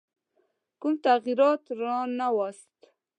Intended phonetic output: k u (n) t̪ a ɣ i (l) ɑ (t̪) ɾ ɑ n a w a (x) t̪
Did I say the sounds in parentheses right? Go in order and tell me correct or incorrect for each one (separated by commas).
incorrect, incorrect, correct, incorrect